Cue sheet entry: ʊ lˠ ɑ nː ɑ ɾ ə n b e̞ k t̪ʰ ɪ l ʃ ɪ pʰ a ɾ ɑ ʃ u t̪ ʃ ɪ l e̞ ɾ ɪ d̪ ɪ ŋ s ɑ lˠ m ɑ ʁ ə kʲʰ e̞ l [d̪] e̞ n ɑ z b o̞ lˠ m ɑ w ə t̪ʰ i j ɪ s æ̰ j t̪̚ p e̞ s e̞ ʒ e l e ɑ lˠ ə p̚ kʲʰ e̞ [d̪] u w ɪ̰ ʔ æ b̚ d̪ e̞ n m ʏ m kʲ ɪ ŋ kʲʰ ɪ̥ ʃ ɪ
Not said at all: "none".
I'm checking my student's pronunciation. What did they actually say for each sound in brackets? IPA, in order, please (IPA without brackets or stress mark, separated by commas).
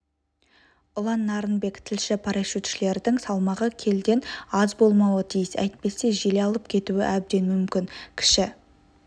d̪, t̪